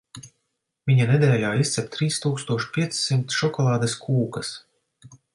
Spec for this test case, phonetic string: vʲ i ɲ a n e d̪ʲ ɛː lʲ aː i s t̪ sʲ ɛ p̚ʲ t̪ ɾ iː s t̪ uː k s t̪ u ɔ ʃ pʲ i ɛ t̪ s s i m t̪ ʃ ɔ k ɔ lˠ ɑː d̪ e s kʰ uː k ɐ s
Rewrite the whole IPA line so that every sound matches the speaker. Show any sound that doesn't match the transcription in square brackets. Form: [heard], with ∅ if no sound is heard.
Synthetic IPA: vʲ i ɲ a n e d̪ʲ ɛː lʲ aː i s t̪ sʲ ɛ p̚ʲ t̪ ɾ iː s t̪ uː k s t̪ u ɔ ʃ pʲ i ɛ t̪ s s i m t̪ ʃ ɔ k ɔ lˠ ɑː d̪ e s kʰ uː k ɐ s